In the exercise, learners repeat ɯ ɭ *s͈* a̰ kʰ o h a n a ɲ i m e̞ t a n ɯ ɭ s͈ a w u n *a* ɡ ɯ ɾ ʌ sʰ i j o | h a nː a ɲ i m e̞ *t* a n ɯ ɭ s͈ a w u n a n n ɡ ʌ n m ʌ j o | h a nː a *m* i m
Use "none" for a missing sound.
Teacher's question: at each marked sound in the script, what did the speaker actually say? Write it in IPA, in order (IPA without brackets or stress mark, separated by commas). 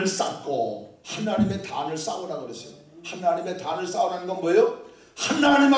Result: s͈, a, t, ɲ